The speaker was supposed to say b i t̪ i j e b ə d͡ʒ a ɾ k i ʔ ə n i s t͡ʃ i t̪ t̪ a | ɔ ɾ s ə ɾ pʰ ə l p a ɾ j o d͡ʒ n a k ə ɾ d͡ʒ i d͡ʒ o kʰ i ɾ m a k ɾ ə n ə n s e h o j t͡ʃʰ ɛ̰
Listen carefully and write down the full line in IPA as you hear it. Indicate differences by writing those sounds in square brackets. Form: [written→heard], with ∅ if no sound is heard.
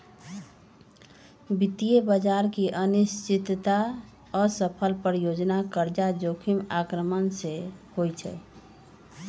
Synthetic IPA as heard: b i t̪ i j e b ə d͡ʒ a ɾ k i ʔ ə n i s t͡ʃ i t̪ t̪ a | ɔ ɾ s ə [ɾ→∅] pʰ ə l p [a→ə] ɾ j o d͡ʒ n a k ə ɾ d͡ʒ [i→a] d͡ʒ o kʰ i [ɾ→∅] m a k ɾ ə [n→m] ə n s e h o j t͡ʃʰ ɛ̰